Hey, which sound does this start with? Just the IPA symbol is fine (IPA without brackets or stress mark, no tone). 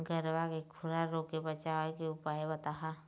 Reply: ɡ